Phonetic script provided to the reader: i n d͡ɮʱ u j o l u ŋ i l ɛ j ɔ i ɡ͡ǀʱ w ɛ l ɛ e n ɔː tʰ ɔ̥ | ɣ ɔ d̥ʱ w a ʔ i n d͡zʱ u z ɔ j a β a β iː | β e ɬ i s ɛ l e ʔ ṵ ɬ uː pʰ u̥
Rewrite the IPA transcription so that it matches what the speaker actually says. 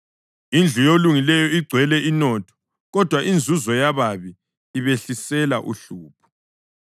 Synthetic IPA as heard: i n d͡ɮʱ u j o l u ŋ i l ɛ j ɔ i ɡ͡ǀʱ w ɛ l ɛ i n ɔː tʰ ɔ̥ | ɣ ɔ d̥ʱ w a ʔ i n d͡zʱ u z ɔ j a β a β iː | β e ɬ i s ɛ l a ʔ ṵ ɬ uː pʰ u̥